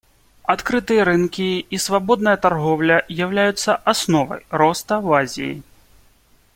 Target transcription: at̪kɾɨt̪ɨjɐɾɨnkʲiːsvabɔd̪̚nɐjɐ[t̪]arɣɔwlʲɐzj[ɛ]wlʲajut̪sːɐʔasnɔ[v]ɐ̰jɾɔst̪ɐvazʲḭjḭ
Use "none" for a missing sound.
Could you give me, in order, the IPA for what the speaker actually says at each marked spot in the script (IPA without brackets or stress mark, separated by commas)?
t̪, a, v